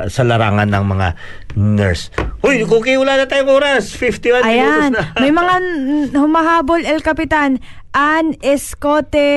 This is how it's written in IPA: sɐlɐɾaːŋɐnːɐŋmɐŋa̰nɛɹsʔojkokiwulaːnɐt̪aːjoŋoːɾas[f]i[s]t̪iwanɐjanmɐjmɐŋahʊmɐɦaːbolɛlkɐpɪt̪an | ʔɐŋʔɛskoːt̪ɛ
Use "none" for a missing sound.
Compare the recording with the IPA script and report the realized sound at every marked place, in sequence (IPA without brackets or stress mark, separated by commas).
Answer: f, f